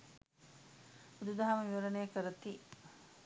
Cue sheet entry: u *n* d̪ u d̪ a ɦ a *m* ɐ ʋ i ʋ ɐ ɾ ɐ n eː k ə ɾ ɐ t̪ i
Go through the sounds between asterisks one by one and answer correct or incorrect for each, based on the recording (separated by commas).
incorrect, correct